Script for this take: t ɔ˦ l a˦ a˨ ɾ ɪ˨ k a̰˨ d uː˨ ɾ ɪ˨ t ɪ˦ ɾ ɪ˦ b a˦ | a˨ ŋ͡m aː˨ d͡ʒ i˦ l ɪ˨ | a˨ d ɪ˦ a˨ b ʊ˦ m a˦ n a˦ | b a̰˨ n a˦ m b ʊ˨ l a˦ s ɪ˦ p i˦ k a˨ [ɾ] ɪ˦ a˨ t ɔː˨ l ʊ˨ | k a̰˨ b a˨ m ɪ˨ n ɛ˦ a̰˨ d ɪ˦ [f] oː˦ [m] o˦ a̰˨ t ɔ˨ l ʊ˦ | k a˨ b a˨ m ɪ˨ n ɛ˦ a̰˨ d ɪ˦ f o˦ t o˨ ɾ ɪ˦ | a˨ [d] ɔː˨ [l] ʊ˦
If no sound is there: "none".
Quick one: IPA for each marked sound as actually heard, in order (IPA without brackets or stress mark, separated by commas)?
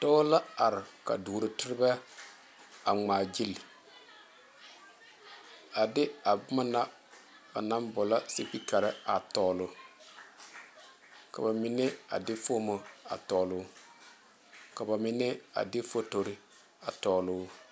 ɾ, f, m, t, l